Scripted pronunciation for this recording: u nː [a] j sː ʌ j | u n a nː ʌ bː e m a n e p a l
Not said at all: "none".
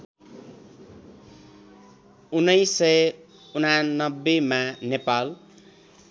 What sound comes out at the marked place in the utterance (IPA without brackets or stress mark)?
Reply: ʌ